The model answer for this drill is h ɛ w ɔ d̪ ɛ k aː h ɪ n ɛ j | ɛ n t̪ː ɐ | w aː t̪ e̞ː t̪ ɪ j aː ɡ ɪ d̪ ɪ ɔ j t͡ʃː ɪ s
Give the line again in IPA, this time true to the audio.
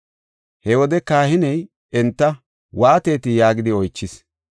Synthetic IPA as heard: h ɛ w ɔ d̪ ɛ k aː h ɪ n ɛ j | ɛ n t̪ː ɐ | w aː t̪ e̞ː t̪ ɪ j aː ɡ ɪ d̪ ɪ ɔ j t͡ʃː ɪ s